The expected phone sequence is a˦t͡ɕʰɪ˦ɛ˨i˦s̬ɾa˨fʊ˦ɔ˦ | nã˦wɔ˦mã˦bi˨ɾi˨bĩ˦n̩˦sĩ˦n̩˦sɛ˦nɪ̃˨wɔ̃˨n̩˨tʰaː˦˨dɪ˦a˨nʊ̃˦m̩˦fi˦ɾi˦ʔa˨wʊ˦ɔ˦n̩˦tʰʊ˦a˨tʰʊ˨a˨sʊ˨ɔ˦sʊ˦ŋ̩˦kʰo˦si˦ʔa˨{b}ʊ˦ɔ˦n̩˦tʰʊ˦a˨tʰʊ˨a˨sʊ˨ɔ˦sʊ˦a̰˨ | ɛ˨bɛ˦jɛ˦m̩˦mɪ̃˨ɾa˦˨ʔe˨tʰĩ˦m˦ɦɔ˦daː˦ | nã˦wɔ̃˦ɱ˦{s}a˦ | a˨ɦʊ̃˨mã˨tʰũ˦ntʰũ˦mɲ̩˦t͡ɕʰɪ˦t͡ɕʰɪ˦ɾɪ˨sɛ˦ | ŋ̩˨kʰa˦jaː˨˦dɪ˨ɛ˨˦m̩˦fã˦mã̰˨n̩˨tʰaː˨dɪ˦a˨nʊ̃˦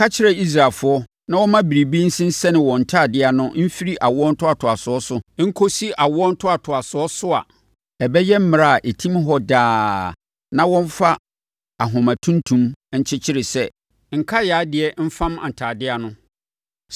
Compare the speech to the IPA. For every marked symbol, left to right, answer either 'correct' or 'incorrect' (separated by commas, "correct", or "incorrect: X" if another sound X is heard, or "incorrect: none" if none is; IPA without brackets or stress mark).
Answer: incorrect: w, incorrect: f